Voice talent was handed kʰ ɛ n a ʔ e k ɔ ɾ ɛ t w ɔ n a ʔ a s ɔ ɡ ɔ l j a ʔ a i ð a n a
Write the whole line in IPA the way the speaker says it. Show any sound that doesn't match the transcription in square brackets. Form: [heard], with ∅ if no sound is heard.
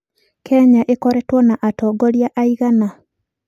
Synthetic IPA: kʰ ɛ [ɲ] a ʔ e k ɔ ɾ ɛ t w ɔ n a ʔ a [t] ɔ ɡ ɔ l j a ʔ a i [ɣ] a n a